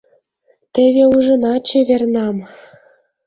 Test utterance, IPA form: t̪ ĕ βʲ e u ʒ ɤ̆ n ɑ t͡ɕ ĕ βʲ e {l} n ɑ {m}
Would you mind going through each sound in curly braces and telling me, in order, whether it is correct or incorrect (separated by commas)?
incorrect, correct